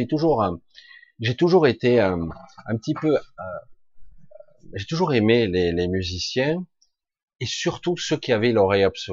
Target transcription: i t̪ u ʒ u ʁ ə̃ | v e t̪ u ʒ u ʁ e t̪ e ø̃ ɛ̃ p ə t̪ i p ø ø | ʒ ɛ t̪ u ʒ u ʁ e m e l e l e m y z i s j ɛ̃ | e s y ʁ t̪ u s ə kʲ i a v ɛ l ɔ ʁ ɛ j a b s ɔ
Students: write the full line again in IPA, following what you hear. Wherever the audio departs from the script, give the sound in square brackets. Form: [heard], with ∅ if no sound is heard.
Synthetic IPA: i t̪ u ʒ u ʁ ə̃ | [ʒ] e t̪ u ʒ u ʁ e t̪ e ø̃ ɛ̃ p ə t̪ i p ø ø | ʒ [e] t̪ u ʒ u ʁ e m e l e l e m y z i s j ɛ̃ | e s y ʁ t̪ u s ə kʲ i a v ɛ l ɔ ʁ ɛ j a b s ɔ